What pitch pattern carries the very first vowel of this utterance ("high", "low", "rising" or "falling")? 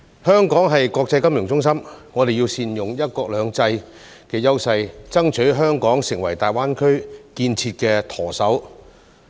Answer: high